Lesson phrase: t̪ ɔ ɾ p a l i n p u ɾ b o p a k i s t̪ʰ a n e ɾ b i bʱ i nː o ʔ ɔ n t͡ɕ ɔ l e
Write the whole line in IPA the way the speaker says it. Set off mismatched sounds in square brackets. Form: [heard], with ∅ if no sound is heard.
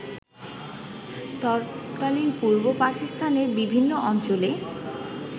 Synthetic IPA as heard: t̪ ɔ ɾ [k] a l i n p u ɾ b o p a k i s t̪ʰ a n e ɾ b i bʱ i nː o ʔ ɔ n t͡ɕ [o] l e